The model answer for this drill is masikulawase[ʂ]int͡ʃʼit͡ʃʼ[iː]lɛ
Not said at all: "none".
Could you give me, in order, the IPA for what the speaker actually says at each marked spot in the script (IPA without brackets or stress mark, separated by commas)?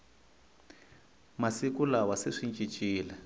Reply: ʂ, iː